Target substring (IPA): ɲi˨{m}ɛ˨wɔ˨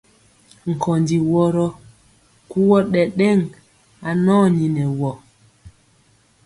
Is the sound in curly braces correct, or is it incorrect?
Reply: incorrect